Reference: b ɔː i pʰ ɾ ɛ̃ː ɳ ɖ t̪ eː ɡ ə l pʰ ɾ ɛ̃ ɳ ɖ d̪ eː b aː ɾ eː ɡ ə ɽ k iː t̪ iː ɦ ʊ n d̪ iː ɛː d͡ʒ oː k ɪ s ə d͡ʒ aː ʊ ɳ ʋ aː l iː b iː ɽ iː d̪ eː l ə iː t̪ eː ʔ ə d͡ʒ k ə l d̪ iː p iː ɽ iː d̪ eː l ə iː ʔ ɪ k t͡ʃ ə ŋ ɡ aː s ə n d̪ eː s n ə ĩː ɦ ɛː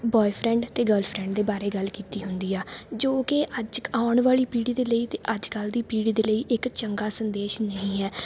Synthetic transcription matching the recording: b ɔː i pʰ ɾ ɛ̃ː ɳ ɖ t̪ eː ɡ ə l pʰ ɾ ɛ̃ ɳ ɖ d̪ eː b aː ɾ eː ɡ ə l k iː t̪ iː ɦ ʊ n d̪ iː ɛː d͡ʒ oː k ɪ ə d͡ʒ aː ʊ ɳ ʋ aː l iː p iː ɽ iː d̪ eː l ə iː t̪ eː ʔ ə d͡ʒ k ə l d̪ iː p iː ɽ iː d̪ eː l ə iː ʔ ɪ k t͡ʃ ə ŋ ɡ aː s ə n d̪ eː ʃ n ə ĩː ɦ ɛː